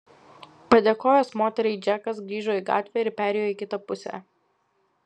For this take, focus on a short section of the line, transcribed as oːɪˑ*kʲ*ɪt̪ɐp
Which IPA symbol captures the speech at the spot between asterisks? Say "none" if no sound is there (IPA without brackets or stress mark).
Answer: kʲ